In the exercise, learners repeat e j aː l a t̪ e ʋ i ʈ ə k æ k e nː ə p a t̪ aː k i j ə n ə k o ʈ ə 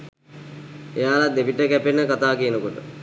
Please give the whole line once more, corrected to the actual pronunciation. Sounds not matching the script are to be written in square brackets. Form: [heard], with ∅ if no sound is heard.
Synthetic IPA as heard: e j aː l a [d̪] e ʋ i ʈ ə k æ [p] e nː ə [k] a t̪ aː k i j ə n ə k o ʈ ə